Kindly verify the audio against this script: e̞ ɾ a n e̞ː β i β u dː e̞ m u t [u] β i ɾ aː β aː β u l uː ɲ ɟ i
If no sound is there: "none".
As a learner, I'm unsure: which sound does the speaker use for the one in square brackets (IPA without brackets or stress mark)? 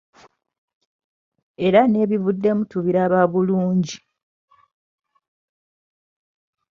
u